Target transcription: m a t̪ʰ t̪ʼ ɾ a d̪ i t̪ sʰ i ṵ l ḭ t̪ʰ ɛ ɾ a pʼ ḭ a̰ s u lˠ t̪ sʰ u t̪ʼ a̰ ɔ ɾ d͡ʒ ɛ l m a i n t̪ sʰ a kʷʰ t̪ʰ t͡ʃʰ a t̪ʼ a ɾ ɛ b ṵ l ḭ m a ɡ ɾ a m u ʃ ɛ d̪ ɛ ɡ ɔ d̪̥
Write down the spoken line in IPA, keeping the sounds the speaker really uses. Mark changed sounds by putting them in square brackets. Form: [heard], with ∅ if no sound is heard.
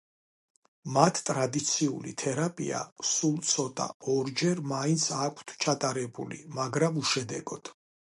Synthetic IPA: m a t̪ʰ t̪ʼ ɾ a d̪ i t̪ sʰ i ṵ l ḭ t̪ʰ ɛ ɾ a pʼ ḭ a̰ s u lˠ t̪ sʰ [ɔ] t̪ʼ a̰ ɔ ɾ d͡ʒ ɛ [ɾ] m a i n t̪ sʰ a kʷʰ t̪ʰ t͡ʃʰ a t̪ʼ a ɾ ɛ b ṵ l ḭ m a ɡ ɾ a m u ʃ ɛ d̪ ɛ ɡ ɔ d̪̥